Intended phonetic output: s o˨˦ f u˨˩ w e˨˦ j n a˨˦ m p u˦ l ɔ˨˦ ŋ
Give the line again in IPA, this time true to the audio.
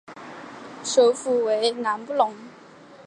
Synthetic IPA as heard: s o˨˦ f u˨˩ w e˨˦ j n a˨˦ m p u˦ l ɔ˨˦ ŋ